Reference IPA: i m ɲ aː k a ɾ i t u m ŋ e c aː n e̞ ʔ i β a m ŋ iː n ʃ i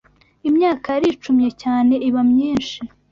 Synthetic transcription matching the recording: i m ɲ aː k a ɾ i t͡ʃ u m ɲ e c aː n e̞ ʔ i β a m ɲ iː n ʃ i